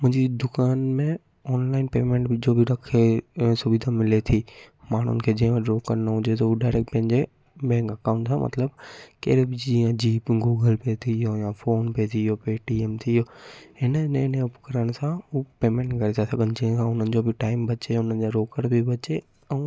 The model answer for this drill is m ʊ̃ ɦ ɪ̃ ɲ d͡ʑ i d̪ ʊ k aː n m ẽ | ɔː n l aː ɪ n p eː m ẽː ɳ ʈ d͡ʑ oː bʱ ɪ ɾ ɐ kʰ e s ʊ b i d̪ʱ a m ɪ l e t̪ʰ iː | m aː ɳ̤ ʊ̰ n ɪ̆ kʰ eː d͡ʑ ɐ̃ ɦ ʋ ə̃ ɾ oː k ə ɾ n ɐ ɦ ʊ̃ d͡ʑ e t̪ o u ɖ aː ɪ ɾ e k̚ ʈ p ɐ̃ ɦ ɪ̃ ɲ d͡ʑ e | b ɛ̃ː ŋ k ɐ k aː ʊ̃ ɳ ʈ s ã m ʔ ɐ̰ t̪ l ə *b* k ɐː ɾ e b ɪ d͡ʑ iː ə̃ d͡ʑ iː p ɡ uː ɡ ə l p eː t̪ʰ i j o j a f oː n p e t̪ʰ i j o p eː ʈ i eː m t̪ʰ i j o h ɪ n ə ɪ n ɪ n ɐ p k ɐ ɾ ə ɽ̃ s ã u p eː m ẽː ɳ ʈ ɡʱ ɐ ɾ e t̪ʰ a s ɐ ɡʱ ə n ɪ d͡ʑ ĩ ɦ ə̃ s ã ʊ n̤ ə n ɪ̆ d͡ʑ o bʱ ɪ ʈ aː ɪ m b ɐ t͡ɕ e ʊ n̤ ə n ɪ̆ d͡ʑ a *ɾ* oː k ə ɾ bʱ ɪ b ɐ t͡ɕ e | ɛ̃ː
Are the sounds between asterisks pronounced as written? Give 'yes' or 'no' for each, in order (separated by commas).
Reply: yes, yes